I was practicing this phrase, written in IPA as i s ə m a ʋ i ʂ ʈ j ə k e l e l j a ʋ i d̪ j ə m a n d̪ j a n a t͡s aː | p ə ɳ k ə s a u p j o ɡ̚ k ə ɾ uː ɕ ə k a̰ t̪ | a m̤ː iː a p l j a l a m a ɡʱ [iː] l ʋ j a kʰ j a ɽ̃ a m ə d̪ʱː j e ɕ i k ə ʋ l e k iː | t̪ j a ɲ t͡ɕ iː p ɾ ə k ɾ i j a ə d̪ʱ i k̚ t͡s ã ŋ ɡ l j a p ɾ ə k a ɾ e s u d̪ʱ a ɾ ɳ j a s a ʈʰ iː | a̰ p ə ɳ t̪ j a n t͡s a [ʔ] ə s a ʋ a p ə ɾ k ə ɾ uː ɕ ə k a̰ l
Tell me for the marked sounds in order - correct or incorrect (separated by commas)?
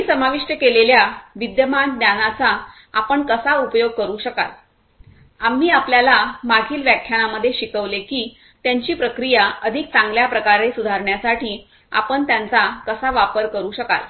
correct, incorrect